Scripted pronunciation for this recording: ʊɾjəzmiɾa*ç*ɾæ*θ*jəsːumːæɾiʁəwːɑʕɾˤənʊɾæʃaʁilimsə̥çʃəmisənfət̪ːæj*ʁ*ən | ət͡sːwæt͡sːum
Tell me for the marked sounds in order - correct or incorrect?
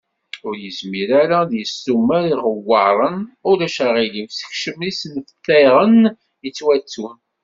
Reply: incorrect, incorrect, correct

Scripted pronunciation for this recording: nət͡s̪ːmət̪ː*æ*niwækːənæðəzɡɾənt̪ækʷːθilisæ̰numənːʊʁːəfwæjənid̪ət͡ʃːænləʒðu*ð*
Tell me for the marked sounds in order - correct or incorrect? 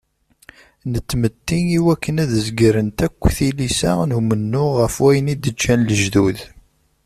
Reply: incorrect, correct

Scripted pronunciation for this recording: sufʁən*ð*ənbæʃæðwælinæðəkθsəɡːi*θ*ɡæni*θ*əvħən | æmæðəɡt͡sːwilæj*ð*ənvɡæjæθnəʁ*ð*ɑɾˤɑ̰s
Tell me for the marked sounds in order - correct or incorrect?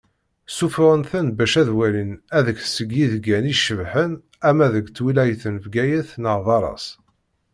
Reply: incorrect, incorrect, incorrect, incorrect, correct

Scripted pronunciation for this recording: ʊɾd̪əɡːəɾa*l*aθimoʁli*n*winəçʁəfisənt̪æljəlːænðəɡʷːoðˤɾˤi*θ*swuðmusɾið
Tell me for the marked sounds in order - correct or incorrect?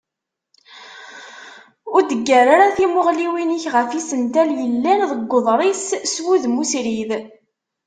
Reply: incorrect, incorrect, incorrect

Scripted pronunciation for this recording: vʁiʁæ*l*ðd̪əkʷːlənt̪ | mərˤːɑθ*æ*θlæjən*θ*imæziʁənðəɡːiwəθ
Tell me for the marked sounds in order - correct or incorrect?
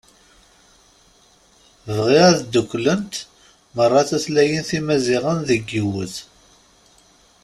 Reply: incorrect, correct, correct

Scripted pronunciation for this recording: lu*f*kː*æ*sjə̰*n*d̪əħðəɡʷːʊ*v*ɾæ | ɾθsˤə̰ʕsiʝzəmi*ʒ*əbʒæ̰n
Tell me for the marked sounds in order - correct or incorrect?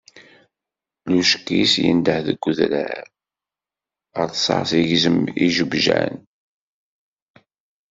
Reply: incorrect, incorrect, correct, incorrect, correct

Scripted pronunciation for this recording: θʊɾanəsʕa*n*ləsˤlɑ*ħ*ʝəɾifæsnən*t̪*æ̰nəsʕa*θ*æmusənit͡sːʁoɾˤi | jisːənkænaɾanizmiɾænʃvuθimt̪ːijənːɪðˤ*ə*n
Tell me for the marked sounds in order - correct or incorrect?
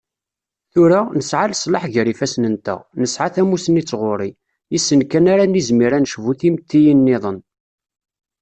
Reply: incorrect, correct, correct, correct, correct

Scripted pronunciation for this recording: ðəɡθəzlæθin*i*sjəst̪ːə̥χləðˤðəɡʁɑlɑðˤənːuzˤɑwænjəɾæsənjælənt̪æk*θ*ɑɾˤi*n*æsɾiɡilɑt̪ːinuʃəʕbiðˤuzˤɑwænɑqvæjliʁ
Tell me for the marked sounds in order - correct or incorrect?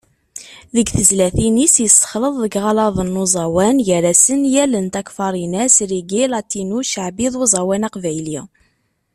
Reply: correct, incorrect, correct

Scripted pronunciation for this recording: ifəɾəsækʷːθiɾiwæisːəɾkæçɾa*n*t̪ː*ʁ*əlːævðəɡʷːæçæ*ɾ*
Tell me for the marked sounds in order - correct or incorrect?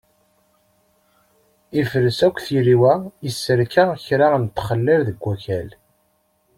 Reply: correct, incorrect, incorrect

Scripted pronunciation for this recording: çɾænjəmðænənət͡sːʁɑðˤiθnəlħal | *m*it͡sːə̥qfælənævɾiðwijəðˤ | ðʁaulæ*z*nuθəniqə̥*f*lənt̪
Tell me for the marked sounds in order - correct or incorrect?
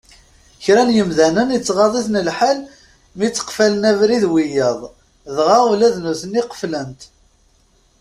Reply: correct, incorrect, correct

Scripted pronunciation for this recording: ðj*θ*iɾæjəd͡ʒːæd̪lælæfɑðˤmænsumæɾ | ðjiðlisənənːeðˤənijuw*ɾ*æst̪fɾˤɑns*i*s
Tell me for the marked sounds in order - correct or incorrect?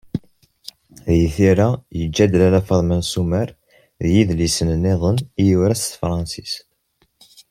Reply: correct, correct, correct

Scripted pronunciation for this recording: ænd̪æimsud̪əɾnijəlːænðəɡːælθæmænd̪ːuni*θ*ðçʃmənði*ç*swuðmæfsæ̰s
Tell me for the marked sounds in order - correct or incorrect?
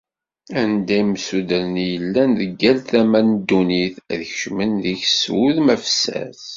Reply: correct, correct

